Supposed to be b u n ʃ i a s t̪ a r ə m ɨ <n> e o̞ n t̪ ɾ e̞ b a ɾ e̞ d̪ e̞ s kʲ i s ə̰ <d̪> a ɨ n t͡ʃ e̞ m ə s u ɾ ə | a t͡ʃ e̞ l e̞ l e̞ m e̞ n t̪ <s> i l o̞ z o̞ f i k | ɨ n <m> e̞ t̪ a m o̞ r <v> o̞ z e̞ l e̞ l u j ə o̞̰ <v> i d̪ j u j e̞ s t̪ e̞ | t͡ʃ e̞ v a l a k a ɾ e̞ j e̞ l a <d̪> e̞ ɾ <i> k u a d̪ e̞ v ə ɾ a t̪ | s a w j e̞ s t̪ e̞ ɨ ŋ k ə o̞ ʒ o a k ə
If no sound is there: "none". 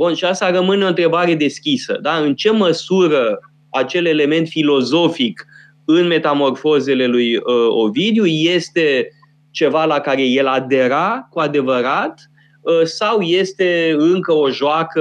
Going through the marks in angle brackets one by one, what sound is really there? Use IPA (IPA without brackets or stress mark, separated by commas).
n, d̪, f, m, f, v, d̪, a